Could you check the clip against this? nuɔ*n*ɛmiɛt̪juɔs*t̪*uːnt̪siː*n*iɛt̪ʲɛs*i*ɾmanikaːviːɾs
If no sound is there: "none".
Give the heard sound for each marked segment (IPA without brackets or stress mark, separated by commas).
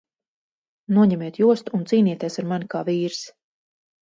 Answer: ɲ, t̪, n, a